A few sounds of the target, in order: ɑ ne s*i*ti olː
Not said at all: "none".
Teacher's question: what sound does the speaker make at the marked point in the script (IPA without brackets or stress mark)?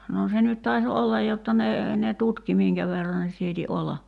iː